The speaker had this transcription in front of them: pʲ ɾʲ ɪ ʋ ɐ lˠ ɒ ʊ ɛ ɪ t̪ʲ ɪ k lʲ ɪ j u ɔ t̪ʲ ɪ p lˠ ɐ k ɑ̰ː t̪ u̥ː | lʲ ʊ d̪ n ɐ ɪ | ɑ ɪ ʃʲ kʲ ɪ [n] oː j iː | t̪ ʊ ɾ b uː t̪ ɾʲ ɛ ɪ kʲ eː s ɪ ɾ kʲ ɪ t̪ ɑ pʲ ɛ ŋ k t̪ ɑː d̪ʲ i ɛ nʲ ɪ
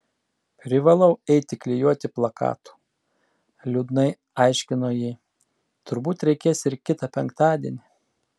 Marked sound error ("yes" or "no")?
no